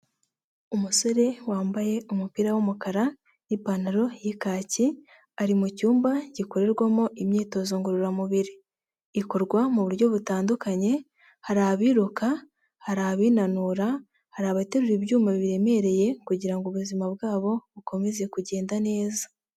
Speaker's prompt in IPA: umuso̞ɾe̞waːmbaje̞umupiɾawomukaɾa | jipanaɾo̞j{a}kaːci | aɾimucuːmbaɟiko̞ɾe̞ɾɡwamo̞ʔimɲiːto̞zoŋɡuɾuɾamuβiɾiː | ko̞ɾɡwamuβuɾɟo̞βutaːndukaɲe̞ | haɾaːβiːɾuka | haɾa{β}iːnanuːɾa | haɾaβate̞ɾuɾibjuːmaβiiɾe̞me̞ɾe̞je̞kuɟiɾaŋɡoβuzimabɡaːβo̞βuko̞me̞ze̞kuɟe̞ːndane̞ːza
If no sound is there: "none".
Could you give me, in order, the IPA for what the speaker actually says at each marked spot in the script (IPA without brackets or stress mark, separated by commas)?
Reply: i, β